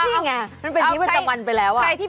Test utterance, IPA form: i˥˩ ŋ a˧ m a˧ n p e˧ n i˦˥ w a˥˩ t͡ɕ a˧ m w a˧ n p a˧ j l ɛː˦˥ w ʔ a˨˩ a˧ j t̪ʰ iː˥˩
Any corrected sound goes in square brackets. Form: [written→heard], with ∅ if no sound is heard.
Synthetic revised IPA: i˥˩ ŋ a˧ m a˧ n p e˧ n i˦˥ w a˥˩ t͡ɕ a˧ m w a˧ n p a˧ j l ɛː˦˥ w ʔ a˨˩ a˧ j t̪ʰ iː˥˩